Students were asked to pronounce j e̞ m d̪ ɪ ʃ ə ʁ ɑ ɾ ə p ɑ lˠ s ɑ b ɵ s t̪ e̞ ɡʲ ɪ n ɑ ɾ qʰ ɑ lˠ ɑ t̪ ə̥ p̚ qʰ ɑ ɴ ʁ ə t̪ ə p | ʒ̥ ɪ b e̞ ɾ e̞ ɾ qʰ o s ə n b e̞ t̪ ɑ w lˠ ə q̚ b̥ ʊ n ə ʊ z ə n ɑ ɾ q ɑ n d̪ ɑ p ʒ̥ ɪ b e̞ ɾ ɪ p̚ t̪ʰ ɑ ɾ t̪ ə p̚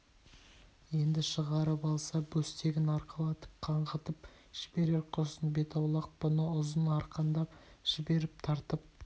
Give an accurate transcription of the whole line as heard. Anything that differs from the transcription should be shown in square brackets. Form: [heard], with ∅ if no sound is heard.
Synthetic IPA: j e̞ [n] d̪ ɪ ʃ ə ʁ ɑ ɾ ə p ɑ lˠ s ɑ b ɵ s t̪ e̞ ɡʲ ɪ n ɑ ɾ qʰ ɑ lˠ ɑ t̪ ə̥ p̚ qʰ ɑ ɴ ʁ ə t̪ ə p | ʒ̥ ɪ b e̞ ɾ e̞ ɾ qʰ o s ə n b e̞ t̪ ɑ w lˠ [ɑ] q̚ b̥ ʊ n ə ʊ z ə n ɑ ɾ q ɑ n d̪ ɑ p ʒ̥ ɪ b e̞ ɾ ɪ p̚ t̪ʰ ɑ ɾ t̪ ə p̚